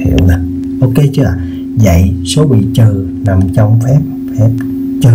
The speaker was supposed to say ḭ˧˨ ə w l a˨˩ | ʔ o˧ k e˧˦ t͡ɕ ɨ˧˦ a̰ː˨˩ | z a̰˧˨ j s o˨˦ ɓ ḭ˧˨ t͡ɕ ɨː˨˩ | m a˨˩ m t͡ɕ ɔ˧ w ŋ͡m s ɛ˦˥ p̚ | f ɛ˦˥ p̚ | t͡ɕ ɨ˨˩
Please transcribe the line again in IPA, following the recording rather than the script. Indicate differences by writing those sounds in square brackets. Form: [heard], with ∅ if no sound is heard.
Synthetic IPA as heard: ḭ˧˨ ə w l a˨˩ | ʔ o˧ k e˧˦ t͡ɕ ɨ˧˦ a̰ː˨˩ | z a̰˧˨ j s o˨˦ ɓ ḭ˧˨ t͡ɕ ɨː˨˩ | [n] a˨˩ m t͡ɕ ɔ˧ w ŋ͡m [f] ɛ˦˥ p̚ | f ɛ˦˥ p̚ | t͡ɕ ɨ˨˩

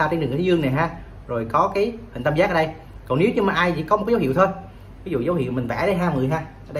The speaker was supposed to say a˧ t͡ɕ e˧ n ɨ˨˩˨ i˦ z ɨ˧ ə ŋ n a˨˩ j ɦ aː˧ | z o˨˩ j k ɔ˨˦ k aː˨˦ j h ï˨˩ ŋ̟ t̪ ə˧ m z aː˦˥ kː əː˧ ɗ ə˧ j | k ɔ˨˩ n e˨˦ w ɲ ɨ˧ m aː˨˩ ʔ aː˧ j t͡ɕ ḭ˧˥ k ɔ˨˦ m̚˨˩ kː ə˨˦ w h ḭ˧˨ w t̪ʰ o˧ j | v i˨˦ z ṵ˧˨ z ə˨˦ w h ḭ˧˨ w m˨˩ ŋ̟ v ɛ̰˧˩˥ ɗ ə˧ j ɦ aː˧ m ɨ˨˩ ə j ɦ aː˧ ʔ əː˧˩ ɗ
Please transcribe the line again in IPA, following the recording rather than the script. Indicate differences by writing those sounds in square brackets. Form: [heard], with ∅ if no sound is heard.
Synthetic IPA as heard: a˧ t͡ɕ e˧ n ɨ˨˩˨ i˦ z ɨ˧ ə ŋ n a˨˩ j ɦ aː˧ | z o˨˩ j k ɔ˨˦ k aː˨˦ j h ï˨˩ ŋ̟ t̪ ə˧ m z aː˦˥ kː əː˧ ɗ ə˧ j | k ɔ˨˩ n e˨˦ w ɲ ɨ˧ m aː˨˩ ʔ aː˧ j t͡ɕ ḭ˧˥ k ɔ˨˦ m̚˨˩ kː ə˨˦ w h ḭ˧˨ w t̪ʰ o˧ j | v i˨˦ z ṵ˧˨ z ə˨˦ w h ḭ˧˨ w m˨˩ ŋ̟ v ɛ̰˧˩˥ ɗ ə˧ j ɦ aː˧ m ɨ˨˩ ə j ɦ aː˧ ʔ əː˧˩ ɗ

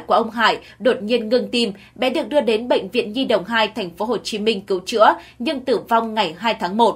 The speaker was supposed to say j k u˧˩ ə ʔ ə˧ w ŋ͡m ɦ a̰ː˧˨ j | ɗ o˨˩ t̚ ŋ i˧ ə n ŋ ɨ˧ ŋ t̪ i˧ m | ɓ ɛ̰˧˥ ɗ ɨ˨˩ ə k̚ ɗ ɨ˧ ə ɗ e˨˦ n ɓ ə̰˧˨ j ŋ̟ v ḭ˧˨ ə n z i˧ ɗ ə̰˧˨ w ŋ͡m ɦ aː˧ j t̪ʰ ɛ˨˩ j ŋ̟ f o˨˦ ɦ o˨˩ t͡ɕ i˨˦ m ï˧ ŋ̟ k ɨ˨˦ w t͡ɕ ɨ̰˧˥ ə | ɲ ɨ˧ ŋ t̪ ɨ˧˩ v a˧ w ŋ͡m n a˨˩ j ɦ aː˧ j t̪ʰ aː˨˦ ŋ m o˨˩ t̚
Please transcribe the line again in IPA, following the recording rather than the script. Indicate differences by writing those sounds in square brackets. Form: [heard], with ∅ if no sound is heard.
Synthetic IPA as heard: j k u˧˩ ə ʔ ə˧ w ŋ͡m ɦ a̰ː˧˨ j | ɗ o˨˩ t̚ [ɲ] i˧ ə n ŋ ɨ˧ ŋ t̪ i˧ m | ɓ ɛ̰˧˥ ɗ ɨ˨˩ ə k̚ ɗ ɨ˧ ə ɗ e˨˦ n ɓ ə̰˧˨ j ŋ̟ v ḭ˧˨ ə n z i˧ ɗ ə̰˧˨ w ŋ͡m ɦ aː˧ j t̪ʰ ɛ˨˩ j ŋ̟ f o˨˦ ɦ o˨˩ t͡ɕ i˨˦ m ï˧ ŋ̟ k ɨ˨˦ w t͡ɕ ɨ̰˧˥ ə | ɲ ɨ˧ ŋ t̪ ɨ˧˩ v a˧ w ŋ͡m [ŋ] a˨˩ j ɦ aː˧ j t̪ʰ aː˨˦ ŋ m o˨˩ t̚

